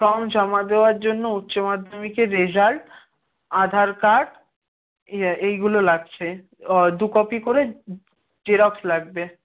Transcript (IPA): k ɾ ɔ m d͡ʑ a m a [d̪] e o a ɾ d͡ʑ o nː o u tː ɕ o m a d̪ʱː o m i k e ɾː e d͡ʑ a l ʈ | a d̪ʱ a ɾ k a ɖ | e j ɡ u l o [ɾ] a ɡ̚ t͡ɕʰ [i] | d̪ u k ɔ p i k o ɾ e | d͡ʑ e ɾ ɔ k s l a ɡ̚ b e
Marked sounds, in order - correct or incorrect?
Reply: correct, incorrect: l, incorrect: e

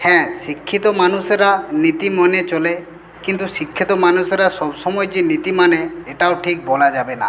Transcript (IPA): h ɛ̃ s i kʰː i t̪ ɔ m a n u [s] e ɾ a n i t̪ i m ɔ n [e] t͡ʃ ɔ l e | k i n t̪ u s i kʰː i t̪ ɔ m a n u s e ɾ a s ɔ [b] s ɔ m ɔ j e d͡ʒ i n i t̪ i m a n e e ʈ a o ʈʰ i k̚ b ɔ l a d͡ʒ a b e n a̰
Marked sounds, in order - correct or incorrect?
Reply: correct, correct, correct

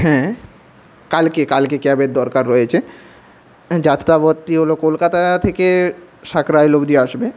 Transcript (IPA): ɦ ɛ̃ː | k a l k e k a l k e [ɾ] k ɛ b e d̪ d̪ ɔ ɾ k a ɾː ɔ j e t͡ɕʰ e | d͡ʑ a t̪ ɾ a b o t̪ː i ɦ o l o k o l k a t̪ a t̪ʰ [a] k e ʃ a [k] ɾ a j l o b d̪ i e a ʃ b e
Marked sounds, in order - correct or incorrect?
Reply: incorrect: none, incorrect: e, correct

